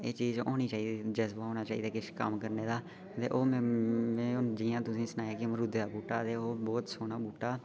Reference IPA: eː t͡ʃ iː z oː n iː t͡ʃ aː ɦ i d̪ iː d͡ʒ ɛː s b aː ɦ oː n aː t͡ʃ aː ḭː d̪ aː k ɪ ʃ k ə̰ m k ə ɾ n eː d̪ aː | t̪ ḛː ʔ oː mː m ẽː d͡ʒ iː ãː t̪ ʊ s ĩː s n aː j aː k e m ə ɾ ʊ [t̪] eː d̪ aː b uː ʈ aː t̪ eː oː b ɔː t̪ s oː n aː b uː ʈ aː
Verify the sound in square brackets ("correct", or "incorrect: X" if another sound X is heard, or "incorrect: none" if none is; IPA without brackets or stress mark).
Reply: incorrect: d̪